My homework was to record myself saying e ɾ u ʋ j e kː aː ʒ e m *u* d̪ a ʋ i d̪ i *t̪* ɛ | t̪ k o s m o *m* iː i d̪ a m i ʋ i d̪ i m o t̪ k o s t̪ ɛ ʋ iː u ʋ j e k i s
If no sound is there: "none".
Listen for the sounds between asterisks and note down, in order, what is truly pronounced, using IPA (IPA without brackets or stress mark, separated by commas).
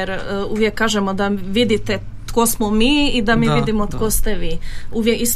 o, t̪, m